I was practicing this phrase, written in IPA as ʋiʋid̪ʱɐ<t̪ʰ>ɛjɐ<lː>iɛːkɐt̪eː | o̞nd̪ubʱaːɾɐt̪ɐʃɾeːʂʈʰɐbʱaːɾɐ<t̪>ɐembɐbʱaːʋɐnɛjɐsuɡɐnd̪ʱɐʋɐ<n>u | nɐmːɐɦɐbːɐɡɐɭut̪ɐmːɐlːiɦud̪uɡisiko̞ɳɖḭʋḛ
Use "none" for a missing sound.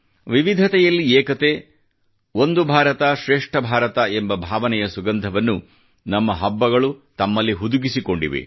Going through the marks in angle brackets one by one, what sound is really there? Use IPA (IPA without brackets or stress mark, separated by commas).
t̪, lː, t̪, nː